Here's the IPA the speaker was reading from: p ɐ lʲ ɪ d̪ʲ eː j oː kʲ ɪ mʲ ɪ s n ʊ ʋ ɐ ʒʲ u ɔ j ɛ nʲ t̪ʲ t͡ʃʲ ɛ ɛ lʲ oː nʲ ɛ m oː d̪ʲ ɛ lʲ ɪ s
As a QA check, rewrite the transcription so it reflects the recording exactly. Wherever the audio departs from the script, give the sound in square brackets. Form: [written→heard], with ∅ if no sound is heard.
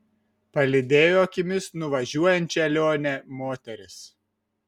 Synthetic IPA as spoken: p ɐ lʲ ɪ d̪ʲ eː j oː kʲ ɪ mʲ ɪ s n ʊ ʋ ɐ ʒʲ u ɔ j ɛ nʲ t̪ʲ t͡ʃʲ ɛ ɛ lʲ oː nʲ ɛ m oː [d̪ʲ→t̪ʲ] ɛ [lʲ→ɾʲ] ɪ s

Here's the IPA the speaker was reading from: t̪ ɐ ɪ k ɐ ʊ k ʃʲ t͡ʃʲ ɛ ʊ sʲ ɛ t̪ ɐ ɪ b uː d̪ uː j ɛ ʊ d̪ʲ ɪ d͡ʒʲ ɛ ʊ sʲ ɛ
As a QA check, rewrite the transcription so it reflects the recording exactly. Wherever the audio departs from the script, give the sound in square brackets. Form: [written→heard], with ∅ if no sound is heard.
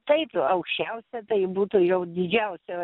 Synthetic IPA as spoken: t̪ ɐ ɪ [k→p] ɐ ʊ k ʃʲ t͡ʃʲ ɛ ʊ sʲ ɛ t̪ ɐ ɪ b uː [d̪→t̪] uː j ɛ ʊ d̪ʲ ɪ d͡ʒʲ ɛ ʊ sʲ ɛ

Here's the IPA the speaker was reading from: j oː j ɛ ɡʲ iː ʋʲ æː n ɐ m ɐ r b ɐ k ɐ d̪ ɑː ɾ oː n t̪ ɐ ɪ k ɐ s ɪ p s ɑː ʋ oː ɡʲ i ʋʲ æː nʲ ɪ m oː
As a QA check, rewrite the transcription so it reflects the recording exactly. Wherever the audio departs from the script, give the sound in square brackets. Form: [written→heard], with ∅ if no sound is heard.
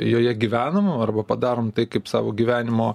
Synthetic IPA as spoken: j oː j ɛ ɡʲ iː ʋʲ æː n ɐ m ɐ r b ɐ [k→p] ɐ d̪ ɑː ɾ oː [n→m] t̪ ɐ ɪ k ɐ [s→∅] ɪ p s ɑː ʋ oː ɡʲ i ʋʲ æː nʲ ɪ m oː

